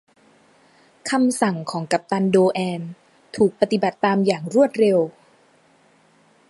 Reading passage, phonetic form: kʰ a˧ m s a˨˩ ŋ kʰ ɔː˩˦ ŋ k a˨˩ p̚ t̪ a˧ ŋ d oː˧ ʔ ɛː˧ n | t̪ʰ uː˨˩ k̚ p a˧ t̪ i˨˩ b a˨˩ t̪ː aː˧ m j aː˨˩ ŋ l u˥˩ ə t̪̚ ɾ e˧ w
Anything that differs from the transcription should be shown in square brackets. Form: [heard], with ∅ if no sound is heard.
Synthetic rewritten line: kʰ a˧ m s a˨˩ ŋ kʰ ɔː˩˦ ŋ k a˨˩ p̚ t̪ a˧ [n] d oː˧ ʔ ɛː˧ n | t̪ʰ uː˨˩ k̚ p a˧ t̪ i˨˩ b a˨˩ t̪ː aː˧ m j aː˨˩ ŋ [ɾ] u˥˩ ə t̪̚ ɾ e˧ w